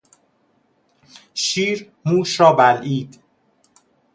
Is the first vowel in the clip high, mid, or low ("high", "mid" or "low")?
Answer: high